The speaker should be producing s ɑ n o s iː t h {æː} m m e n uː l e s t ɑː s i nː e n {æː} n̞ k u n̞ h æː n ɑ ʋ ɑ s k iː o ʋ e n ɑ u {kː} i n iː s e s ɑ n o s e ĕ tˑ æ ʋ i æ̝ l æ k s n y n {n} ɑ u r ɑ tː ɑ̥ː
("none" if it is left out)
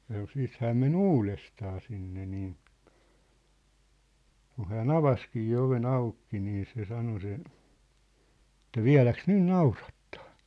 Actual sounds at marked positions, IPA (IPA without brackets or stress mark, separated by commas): æː, iː, kː, n